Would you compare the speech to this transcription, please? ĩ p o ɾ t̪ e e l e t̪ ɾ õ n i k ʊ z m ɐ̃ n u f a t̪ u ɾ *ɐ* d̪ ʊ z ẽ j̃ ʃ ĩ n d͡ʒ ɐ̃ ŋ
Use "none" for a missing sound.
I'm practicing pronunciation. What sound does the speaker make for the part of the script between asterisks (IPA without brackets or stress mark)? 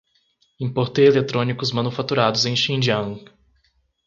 a